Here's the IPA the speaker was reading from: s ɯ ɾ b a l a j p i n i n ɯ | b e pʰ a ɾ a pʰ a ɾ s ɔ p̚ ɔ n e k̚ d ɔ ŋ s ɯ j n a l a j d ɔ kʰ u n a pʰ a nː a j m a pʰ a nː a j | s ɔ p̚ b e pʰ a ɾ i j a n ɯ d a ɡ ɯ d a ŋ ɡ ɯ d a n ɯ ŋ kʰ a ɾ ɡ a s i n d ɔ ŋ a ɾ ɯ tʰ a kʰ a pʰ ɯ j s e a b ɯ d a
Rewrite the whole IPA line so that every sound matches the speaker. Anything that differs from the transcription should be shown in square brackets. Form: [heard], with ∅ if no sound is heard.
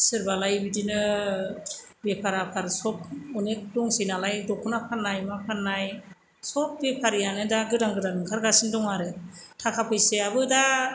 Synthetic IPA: s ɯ ɾ b a l a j [b] i [d] i n ɯ | b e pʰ a ɾ a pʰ a ɾ s ɔ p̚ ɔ n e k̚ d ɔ ŋ s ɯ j n a l a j d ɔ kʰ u n a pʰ a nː a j m a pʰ a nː a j | s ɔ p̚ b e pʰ a ɾ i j a n ɯ d a ɡ ɯ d a ŋ ɡ ɯ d a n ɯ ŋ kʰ a ɾ ɡ a s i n d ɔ ŋ a ɾ ɯ tʰ a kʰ a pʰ ɯ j s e a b ɯ d a